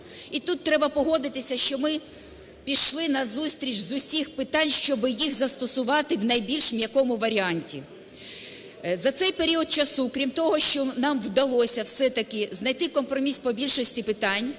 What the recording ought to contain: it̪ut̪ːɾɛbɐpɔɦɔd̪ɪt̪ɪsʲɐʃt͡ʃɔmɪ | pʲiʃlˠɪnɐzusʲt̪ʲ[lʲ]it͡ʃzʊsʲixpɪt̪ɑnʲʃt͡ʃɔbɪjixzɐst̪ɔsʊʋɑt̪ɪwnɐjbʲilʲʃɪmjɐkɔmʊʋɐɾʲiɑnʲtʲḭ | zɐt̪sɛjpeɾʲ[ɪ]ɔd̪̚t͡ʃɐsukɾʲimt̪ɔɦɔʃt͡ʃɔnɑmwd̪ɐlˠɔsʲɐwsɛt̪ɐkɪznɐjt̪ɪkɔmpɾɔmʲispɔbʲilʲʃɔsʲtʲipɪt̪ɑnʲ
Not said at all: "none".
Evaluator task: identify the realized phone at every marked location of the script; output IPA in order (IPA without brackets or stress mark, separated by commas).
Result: ɾʲ, i